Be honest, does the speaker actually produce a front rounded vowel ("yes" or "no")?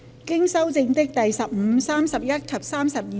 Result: no